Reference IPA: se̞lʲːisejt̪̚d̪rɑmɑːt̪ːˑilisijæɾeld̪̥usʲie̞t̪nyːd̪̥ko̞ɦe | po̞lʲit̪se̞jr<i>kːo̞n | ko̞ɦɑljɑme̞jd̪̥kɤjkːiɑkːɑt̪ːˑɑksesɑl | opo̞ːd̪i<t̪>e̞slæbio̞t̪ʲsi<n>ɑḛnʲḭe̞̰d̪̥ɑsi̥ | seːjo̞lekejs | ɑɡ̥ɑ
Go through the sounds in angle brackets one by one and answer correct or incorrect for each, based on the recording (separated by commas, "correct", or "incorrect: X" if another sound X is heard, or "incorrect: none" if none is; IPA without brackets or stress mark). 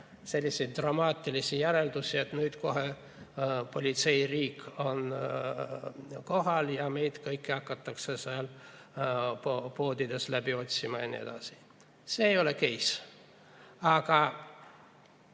incorrect: iː, incorrect: d̪, incorrect: m